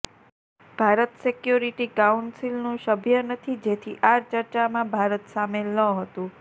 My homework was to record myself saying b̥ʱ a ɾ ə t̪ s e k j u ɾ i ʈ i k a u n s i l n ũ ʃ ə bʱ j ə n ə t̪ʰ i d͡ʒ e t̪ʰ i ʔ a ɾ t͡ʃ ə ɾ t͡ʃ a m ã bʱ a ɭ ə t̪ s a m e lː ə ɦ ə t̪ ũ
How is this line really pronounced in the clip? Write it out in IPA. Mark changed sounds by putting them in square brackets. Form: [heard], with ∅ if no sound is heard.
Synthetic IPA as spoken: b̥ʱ a ɾ ə t̪ s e k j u ɾ i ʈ i k a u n s i l n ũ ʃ ə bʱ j ə n ə t̪ʰ i d͡ʒ e t̪ʰ i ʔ a ɾ t͡ʃ ə ɾ t͡ʃ a m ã bʱ a [ɾ] ə t̪ s a m e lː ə ɦ ə t̪ ũ